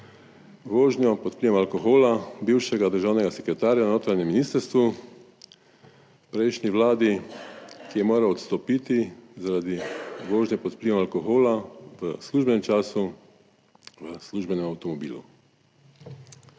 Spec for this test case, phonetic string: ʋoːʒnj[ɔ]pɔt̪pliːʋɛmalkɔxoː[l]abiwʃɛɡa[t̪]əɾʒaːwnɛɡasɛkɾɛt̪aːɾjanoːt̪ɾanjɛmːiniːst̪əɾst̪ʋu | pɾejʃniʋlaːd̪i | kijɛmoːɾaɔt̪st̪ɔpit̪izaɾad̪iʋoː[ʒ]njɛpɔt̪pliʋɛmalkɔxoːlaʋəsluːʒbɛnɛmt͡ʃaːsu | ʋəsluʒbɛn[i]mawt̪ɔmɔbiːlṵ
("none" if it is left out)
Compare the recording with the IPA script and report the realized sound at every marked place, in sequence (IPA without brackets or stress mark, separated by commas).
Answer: ɔ, l, d̪, ʒ, ɛ